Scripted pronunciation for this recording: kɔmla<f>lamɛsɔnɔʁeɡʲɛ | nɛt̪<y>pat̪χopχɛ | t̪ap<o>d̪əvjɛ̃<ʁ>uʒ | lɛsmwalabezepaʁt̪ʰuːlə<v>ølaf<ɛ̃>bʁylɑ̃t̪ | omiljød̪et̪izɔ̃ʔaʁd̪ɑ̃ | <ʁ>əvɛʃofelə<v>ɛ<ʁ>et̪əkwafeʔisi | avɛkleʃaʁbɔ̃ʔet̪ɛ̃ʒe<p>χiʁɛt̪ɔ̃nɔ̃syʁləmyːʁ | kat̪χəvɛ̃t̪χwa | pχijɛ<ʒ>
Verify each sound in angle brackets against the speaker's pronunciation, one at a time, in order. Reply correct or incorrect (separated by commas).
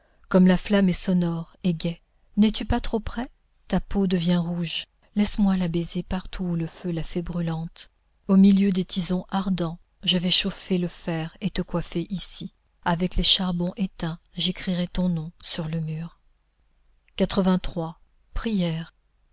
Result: correct, correct, correct, correct, incorrect, incorrect, incorrect, incorrect, correct, incorrect, incorrect